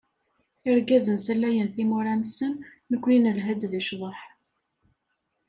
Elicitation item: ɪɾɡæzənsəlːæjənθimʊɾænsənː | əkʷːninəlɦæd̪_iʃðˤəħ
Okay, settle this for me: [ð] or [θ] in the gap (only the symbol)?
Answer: ð